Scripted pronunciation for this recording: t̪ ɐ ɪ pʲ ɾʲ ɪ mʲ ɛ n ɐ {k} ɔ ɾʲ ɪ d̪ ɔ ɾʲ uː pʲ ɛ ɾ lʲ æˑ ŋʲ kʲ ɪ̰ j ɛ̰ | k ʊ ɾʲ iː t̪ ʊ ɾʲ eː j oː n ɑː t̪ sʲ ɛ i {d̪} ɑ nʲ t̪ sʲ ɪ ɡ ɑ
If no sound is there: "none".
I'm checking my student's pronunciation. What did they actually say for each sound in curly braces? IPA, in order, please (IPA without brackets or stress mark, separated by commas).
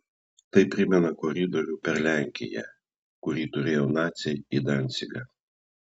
k, d̪